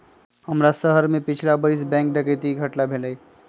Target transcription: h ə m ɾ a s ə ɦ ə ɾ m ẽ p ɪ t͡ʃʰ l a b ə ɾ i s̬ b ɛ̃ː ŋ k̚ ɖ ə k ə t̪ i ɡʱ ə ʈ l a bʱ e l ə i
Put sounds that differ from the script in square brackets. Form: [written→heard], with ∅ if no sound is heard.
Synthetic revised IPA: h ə m ɾ a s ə ɦ ə ɾ m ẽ p ɪ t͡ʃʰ l a b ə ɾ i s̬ b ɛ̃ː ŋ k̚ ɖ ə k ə t̪ i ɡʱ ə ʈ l a bʱ e l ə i

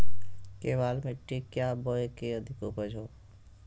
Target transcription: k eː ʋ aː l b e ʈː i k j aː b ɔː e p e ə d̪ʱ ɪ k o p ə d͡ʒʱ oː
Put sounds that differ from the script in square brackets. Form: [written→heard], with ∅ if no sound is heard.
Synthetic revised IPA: k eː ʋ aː l [b→m] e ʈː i k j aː b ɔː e [p→k] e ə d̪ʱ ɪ k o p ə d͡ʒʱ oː

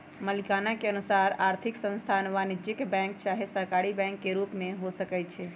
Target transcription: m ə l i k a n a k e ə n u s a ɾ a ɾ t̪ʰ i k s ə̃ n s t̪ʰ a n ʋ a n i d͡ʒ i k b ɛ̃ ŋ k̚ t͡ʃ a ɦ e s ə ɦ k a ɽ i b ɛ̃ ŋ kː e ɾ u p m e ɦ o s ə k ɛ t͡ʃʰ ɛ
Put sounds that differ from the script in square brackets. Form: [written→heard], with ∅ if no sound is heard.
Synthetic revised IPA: m ə l i k a n a k e ə n u s a ɾ a ɾ t̪ʰ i k s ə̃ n s t̪ʰ a n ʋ a n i d͡ʒ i k b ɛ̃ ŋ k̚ t͡ʃ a ɦ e s ə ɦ k a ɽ i b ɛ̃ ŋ kː e ɾ u p m e ɦ o s ə k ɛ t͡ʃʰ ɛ

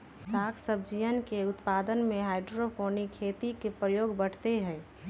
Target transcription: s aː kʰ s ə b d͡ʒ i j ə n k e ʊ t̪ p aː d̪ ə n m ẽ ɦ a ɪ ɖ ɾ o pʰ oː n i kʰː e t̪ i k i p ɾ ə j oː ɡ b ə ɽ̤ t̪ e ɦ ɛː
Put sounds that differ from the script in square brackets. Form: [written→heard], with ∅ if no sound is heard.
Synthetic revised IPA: s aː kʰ s ə b d͡ʒ i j ə n k e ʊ t̪ p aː d̪ ə n m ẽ ɦ a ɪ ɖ ɾ o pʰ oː n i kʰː e t̪ i k [i→e] p ɾ ə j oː ɡ b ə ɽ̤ t̪ e ɦ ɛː

